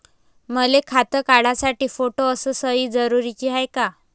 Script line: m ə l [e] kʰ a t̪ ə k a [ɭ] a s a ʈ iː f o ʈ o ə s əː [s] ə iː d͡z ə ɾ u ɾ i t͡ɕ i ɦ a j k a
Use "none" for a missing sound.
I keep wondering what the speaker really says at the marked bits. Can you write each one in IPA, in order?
e, ɽ, s

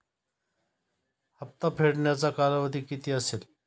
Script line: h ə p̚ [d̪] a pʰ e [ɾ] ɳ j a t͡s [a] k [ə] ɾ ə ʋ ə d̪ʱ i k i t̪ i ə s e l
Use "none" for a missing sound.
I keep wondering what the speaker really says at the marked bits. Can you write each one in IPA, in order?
t̪, ɽ, a, a

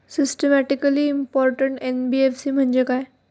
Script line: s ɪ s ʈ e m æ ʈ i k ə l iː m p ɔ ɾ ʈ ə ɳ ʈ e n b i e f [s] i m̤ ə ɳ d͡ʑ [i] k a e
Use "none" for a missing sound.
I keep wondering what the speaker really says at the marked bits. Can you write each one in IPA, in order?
s, e

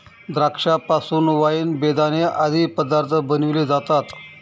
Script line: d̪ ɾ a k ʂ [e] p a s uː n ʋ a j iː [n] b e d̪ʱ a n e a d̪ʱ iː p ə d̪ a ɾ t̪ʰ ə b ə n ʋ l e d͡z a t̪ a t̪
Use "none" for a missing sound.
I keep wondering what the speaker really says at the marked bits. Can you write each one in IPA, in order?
a, n

